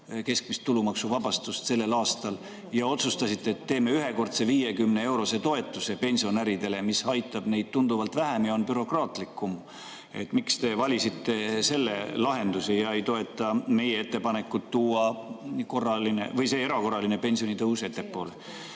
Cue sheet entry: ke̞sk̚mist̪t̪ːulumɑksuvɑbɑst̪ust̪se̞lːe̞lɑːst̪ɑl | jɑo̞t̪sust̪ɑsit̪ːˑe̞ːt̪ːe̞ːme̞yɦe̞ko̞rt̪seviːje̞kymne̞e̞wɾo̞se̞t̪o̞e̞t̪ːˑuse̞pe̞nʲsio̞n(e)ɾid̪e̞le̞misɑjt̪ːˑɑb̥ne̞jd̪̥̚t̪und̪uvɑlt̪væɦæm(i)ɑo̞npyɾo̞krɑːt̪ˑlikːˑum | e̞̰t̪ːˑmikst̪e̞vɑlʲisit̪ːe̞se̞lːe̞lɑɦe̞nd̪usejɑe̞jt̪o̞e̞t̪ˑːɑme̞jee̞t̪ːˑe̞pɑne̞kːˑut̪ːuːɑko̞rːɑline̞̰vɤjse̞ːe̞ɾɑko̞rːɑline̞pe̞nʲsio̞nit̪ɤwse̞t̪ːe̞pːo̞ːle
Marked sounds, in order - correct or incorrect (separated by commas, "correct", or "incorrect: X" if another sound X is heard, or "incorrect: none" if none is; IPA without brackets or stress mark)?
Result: incorrect: æ, incorrect: j